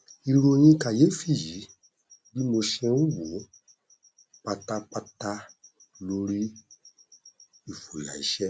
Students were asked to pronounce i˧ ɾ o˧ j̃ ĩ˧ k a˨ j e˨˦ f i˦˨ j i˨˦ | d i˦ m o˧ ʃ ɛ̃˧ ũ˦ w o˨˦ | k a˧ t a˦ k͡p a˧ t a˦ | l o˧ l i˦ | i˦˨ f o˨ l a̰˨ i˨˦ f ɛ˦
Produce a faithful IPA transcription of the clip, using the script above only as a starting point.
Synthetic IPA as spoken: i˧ ɾ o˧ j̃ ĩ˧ k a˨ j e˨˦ f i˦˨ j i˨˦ | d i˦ m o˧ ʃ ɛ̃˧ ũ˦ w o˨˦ | k͡p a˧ t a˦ k͡p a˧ t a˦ | l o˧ ɾ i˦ | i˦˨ f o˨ l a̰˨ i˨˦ ʃ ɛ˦

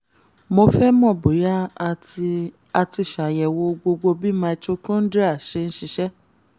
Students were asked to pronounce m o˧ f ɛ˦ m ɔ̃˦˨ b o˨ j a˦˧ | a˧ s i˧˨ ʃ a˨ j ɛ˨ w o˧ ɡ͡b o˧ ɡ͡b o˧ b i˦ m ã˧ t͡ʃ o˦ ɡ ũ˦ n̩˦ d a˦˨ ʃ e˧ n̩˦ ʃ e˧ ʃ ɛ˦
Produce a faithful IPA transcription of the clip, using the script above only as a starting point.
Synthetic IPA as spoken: m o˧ f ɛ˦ m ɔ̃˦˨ b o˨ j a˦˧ | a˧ t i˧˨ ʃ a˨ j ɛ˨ w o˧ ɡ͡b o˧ ɡ͡b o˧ b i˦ m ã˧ t͡ʃ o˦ k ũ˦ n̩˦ d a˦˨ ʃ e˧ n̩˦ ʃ i˧ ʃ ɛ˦

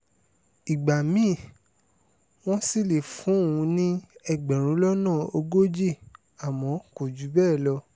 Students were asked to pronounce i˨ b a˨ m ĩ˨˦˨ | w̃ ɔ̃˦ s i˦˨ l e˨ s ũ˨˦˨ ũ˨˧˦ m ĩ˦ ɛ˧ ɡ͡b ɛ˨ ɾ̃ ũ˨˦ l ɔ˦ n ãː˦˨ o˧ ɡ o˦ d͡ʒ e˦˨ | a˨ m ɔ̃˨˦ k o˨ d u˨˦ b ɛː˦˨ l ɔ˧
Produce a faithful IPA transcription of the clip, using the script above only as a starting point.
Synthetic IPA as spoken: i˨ ɡ͡b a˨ m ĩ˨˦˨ | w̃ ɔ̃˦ s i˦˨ l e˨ f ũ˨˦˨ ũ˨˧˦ n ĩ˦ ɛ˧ ɡ͡b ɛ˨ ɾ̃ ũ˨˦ l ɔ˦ n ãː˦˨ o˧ ɡ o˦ d͡ʒ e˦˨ | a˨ m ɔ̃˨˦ k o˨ d͡ʒ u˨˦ b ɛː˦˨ l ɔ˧

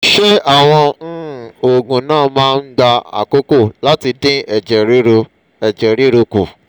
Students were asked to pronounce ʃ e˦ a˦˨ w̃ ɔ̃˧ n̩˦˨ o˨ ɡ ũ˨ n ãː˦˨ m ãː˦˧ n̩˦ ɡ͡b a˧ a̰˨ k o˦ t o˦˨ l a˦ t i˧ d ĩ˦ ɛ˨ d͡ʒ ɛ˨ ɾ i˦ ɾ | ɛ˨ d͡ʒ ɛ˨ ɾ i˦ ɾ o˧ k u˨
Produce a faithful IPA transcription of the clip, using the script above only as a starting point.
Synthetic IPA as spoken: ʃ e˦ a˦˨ w̃ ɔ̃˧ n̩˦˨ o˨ ɡ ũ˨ n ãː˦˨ m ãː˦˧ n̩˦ ɡ͡b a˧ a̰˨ k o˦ k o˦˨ l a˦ t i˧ d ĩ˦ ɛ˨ d͡ʒ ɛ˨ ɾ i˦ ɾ | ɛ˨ d͡ʒ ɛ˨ ɾ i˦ ɾ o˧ k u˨

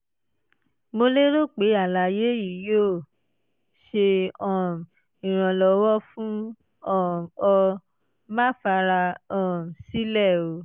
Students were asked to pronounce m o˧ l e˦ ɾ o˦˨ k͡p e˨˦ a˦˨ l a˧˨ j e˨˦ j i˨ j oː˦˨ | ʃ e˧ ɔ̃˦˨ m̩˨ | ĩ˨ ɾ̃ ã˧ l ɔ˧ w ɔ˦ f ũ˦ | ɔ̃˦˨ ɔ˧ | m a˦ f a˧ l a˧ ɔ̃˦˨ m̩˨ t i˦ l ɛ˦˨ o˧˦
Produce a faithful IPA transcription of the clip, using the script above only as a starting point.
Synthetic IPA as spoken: m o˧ l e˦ ɾ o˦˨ k͡p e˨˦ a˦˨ l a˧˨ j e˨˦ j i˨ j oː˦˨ | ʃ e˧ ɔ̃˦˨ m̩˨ | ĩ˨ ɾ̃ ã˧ l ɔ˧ w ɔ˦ f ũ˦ | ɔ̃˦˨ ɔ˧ | m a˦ f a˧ ɾ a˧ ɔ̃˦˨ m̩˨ s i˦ l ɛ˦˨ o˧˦

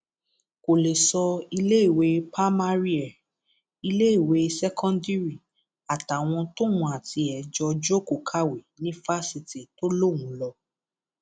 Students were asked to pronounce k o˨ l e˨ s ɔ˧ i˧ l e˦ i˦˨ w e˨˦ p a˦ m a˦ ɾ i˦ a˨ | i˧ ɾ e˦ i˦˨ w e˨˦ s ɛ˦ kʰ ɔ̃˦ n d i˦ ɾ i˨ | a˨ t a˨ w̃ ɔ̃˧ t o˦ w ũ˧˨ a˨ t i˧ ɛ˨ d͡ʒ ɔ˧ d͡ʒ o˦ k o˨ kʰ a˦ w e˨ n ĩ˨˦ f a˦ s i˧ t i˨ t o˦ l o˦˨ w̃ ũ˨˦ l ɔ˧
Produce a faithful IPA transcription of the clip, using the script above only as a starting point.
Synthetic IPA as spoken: k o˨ l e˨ s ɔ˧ i˧ l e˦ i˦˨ w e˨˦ p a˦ m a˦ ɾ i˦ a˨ | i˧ l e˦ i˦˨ w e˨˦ s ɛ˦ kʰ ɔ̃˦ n d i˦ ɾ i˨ | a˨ t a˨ w̃ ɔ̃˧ t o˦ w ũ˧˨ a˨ t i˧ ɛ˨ d͡ʒ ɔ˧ d͡ʒ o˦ k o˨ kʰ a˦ w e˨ n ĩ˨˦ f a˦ s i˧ t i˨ t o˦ l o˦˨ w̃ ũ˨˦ l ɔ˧

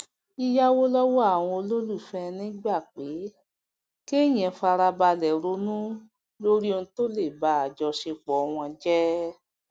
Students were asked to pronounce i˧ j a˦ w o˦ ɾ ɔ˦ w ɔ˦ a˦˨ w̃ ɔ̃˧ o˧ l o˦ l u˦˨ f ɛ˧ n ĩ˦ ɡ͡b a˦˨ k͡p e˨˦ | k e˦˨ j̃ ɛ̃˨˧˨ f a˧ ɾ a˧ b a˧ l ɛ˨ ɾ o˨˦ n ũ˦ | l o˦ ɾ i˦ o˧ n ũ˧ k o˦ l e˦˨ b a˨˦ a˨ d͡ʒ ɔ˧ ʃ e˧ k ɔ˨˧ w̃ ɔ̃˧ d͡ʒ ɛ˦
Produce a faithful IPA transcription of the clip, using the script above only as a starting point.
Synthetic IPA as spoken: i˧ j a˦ w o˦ l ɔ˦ w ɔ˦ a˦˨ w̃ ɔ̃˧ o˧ l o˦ l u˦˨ f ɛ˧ n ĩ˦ ɡ͡b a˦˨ k͡p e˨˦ | k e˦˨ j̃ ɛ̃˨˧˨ f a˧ ɾ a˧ b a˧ l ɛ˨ ɾ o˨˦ n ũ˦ | l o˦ ɾ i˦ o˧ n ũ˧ t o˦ l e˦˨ b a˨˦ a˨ d͡ʒ ɔ˧ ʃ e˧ k͡p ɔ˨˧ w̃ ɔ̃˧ d͡ʒ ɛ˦

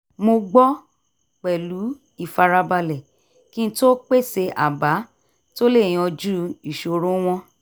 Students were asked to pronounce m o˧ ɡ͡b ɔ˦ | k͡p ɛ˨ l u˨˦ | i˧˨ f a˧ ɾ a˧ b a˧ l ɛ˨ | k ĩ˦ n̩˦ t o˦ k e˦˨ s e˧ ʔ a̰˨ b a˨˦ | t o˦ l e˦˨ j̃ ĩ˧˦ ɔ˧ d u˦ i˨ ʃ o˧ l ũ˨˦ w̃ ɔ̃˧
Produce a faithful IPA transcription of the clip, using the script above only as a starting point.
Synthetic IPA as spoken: m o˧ ɡ͡b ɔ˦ | k͡p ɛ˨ l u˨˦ | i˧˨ f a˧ ɾ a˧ b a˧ l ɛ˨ | k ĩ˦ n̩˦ t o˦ k͡p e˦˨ s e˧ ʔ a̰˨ b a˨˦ | t o˦ l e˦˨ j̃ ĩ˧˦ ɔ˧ d͡ʒ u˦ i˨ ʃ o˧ ɾ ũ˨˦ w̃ ɔ̃˧

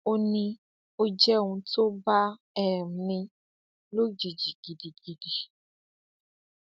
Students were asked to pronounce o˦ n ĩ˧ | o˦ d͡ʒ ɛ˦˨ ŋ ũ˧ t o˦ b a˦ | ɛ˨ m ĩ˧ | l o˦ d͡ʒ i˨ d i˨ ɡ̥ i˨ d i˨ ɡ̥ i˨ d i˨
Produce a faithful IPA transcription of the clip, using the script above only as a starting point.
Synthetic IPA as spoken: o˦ n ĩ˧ | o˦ d͡ʒ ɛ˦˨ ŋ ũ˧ t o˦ b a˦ | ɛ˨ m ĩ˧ | l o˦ d͡ʒ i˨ d͡ʒ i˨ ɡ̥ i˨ d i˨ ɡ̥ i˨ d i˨

